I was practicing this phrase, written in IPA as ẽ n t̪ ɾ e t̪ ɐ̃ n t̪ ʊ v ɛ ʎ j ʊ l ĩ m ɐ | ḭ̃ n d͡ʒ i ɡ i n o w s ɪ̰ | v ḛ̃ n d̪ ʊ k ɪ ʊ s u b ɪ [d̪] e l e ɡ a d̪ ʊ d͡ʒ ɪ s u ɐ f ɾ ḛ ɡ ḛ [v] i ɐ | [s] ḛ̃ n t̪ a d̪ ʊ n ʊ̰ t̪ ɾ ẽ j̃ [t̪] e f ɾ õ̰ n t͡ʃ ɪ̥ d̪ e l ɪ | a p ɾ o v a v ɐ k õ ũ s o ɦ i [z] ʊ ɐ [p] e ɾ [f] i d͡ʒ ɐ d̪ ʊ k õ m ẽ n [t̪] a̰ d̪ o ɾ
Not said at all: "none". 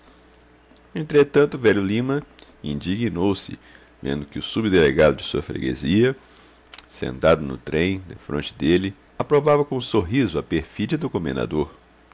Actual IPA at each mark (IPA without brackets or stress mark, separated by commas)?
d̪, z, s, d̪, z, p, f, d̪